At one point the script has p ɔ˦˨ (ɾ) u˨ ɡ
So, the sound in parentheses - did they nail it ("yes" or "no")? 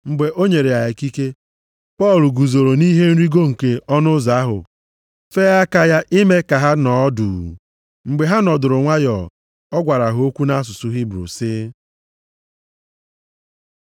no